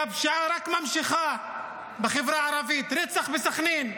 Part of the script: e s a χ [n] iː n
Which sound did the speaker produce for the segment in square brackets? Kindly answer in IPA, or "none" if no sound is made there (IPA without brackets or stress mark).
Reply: n